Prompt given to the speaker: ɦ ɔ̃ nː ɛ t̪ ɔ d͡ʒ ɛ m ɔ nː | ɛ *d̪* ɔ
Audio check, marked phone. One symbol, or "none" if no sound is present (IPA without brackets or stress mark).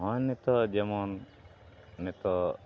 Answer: t̪